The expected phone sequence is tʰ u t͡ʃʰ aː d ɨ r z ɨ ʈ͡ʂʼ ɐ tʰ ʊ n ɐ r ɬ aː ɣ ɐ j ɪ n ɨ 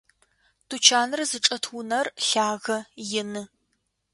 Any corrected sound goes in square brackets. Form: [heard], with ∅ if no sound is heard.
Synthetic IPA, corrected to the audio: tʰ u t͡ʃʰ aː [n] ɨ r z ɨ ʈ͡ʂʼ ɐ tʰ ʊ n ɐ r ɬ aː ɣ ɐ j ɪ n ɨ